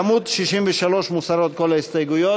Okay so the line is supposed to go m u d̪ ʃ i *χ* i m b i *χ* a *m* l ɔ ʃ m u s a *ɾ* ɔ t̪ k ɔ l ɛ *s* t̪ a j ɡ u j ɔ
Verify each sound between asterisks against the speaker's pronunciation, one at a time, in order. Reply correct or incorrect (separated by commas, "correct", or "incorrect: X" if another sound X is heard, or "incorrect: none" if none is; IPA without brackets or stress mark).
incorrect: ʃ, incorrect: ʃ, incorrect: none, correct, correct